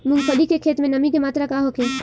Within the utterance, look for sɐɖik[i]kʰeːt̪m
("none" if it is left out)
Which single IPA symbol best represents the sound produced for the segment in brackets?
e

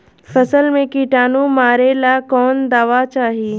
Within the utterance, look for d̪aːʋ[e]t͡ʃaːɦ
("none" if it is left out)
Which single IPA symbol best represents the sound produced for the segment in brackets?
a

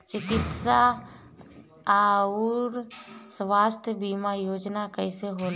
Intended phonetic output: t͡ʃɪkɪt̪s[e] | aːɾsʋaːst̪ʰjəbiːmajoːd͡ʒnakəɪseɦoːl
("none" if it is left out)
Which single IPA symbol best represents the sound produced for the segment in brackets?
a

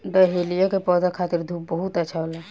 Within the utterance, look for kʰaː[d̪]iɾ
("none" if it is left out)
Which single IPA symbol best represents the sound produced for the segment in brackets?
t̪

